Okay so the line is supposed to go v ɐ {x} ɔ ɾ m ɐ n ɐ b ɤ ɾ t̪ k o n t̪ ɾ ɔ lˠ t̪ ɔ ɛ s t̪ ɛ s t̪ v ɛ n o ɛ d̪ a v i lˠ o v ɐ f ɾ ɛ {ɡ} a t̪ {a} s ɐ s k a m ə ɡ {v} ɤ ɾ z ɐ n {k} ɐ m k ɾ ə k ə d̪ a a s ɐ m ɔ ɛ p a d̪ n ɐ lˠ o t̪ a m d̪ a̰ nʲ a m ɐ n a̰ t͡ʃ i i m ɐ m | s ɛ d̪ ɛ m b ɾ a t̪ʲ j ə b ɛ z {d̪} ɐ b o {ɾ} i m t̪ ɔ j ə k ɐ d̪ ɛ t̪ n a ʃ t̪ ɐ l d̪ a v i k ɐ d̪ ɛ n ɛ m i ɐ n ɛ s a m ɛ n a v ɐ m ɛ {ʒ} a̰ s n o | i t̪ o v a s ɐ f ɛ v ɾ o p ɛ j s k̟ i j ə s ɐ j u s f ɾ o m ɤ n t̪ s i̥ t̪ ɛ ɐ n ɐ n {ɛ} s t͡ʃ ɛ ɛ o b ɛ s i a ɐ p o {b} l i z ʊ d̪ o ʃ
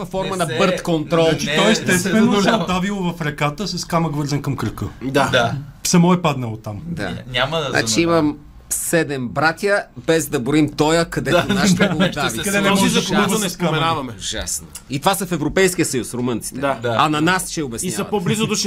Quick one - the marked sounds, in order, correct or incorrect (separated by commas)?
incorrect, incorrect, incorrect, correct, correct, correct, correct, correct, incorrect, correct